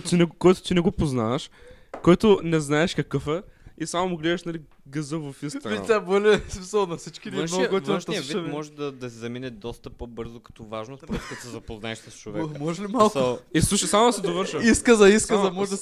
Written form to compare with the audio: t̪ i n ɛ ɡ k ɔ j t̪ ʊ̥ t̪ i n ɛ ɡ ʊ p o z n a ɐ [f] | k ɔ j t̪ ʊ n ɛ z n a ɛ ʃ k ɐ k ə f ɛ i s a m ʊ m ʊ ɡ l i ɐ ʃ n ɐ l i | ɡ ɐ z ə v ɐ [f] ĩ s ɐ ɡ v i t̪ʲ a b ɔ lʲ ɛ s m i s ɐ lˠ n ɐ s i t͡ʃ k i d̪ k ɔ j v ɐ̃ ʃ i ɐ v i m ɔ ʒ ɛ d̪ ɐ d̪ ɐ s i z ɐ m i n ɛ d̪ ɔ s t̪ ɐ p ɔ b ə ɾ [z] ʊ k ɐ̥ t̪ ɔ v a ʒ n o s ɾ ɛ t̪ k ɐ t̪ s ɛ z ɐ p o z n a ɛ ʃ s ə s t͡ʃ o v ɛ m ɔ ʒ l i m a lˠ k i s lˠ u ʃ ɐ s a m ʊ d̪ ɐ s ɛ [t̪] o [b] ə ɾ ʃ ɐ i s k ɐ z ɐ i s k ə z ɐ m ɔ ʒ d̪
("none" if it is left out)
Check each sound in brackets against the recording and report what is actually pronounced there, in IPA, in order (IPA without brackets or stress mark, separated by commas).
ʃ, f, z, d̪, v